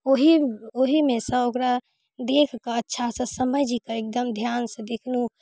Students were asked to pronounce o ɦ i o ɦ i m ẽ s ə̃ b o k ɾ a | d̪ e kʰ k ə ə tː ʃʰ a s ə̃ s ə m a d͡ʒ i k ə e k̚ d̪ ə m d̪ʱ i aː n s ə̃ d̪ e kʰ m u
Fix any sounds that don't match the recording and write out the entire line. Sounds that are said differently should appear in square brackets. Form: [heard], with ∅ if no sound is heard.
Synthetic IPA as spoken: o ɦ i o ɦ i m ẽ s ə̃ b o k ɾ a | d̪ e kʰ k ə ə tː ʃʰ a s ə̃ s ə m [ə] d͡ʒ i k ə e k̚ d̪ ə m d̪ʱ [j] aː n s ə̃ d̪ e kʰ [n] u